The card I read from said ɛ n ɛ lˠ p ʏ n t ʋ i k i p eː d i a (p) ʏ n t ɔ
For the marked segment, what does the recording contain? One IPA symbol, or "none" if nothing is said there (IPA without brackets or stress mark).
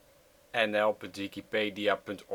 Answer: p